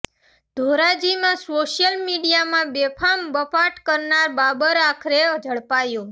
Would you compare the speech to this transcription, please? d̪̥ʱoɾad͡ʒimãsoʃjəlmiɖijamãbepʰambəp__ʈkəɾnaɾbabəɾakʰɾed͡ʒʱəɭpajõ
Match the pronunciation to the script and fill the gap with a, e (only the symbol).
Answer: a